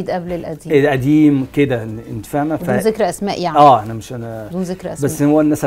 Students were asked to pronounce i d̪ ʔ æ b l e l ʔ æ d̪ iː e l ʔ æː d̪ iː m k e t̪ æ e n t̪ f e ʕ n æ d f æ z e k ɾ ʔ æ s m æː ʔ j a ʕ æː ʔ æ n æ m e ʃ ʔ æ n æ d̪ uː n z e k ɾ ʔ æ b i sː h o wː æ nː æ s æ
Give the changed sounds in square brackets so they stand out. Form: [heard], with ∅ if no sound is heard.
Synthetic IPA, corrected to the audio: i d̪ ʔ æ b l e l ʔ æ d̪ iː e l ʔ [æ] d̪ iː m k e [d̪] æ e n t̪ f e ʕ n æ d f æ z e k ɾ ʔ æ s m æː ʔ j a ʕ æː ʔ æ n æ m e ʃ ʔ æ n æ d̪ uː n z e k ɾ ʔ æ b [æ] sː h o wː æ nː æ s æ